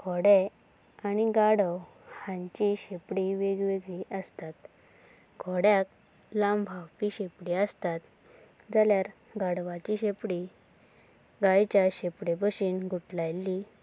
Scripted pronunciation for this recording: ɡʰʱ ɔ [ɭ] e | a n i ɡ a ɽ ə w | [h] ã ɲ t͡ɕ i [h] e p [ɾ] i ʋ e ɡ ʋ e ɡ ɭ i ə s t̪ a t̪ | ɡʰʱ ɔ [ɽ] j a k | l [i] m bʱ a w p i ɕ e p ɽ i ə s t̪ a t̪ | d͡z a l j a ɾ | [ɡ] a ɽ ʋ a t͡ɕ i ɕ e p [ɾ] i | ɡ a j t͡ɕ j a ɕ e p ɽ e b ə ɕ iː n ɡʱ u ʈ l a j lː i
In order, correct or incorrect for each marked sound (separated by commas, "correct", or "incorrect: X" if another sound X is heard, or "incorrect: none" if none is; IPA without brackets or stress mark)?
incorrect: ɽ, correct, incorrect: ɕ, incorrect: ɽ, correct, incorrect: a, correct, incorrect: ɽ